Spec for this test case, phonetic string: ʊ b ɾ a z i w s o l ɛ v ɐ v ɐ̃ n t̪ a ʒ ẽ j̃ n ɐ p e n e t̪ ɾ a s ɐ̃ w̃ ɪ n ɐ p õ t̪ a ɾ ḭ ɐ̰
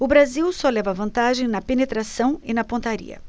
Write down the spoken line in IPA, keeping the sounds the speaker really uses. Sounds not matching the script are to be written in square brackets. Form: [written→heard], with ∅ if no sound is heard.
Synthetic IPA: ʊ b ɾ a z i w s [o→ɔ] l ɛ v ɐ v ɐ̃ n t̪ a ʒ ẽ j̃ n ɐ p e n e t̪ ɾ a s ɐ̃ w̃ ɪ n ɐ p õ t̪ a ɾ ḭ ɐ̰